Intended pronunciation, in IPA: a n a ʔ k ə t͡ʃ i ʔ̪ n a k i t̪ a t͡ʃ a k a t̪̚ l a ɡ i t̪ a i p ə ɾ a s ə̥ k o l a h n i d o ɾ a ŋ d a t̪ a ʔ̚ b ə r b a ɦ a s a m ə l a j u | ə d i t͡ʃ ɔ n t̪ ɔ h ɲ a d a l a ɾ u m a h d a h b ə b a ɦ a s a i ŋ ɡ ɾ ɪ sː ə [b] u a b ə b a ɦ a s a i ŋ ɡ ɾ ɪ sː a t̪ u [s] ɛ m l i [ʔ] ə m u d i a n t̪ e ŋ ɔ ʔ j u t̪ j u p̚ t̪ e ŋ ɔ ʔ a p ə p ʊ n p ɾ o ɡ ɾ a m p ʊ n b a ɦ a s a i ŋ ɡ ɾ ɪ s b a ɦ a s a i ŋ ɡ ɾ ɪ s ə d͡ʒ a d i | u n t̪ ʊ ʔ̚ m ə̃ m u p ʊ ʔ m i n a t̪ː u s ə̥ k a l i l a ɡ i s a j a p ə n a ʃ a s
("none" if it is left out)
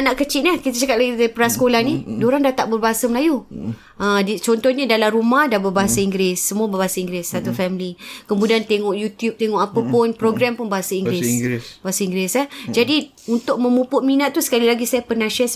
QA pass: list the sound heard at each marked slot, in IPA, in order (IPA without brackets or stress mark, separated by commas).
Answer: m, f, k